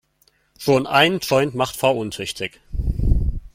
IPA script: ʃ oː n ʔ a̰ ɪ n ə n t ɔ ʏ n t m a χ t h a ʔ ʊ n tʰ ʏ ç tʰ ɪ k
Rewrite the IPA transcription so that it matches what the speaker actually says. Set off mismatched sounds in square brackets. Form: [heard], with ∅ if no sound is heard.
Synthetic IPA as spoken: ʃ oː n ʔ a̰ ɪ n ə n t ɔ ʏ n t m a χ t [f] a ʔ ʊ n tʰ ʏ ç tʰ ɪ k